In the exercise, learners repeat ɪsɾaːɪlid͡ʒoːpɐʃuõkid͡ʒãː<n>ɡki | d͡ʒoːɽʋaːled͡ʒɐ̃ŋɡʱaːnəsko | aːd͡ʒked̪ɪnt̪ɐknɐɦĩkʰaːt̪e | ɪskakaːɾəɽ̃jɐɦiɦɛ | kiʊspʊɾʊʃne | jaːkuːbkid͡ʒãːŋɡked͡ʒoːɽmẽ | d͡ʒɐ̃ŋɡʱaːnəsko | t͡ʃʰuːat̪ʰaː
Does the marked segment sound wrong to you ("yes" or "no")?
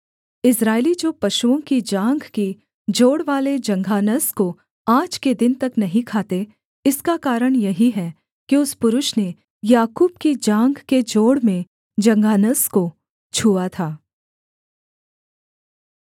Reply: yes